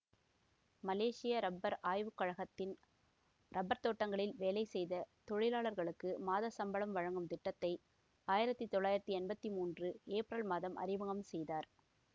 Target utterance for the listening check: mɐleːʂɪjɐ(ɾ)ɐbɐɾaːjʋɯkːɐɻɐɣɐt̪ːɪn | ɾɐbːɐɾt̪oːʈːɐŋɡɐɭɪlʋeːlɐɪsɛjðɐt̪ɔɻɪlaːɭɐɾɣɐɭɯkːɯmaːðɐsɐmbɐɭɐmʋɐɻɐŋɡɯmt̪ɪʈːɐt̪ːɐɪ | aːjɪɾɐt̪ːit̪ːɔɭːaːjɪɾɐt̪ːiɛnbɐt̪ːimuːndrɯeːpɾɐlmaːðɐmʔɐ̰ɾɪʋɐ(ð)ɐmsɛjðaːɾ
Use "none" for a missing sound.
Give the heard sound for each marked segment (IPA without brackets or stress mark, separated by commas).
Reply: ɾ, ɣ